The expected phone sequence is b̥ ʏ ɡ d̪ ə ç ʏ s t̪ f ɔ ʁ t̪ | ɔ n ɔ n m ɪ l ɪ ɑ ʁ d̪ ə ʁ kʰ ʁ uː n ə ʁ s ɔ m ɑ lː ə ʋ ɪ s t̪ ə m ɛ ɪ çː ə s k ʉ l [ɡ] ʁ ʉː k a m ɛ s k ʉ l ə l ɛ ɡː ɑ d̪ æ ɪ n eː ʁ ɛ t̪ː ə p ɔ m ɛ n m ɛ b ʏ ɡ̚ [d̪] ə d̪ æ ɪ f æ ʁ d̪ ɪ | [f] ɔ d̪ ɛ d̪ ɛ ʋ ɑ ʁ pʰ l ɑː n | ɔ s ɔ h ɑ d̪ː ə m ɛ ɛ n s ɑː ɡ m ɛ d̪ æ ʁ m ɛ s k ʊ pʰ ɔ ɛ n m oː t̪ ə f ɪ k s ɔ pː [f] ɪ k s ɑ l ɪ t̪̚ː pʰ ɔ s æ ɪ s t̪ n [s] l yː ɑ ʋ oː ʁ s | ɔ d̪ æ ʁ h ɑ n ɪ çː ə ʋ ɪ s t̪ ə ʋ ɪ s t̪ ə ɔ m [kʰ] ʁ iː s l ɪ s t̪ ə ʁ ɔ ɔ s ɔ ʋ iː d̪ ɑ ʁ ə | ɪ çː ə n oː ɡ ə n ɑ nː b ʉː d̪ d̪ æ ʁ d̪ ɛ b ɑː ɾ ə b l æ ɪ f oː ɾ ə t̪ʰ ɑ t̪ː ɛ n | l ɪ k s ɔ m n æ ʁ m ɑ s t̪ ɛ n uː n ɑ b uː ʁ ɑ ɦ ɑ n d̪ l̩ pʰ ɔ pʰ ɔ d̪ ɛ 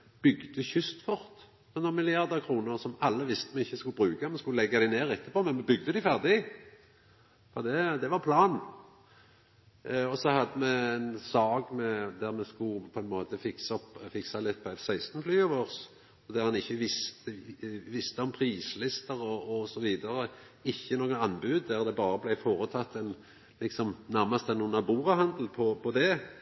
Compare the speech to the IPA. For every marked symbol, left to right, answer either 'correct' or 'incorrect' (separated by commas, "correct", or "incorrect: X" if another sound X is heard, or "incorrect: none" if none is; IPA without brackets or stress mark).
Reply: incorrect: b, correct, correct, correct, incorrect: f, incorrect: pʰ